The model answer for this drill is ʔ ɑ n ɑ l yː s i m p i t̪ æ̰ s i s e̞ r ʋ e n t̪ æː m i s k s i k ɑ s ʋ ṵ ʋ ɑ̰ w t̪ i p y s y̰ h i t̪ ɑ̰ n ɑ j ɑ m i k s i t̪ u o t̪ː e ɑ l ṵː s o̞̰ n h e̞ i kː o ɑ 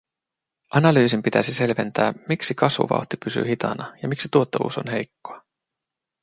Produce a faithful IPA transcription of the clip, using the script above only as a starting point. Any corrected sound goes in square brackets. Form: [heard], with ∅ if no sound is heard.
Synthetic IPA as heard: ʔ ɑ n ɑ l yː s i m p i t̪ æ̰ s i s e̞ [l] ʋ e n t̪ æː m i [∅] k s i k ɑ s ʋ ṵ ʋ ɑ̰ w t̪ i p y s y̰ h i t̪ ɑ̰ n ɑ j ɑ m i k s i t̪ u o t̪ː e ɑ l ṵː s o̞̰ n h e̞ [j] kː o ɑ